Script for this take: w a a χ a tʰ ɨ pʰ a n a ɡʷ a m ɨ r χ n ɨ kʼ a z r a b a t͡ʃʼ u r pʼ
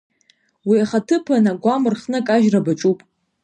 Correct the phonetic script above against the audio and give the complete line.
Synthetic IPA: w i a χ a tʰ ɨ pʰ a n a ɡʷ a m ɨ r χ n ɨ kʼ a ʒ r a b a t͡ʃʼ u pʼ